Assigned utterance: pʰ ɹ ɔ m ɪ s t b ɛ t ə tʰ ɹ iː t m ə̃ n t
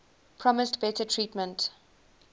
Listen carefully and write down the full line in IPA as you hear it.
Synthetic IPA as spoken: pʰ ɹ ɔ m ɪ s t b ɛ t ə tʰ ɹ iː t m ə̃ n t